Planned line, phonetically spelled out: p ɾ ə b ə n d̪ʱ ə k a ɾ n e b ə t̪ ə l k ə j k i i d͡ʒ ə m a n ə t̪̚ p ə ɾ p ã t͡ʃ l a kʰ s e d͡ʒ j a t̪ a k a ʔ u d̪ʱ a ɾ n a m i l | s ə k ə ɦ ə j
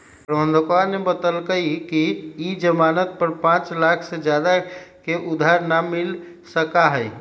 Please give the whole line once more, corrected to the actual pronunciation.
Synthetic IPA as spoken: p ɾ ə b ə n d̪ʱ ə k a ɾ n e b ə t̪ ə l k ə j k i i d͡ʒ ə m a n ə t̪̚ p ə ɾ p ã t͡ʃ l a kʰ s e d͡ʒ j a d̪ a k e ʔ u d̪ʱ a ɾ n a m i l | s ə k a ɦ ə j